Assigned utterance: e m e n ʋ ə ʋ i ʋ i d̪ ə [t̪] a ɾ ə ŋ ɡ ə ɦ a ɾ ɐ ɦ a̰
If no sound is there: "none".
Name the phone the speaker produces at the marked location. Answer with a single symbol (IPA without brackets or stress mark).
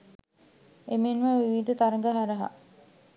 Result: t̪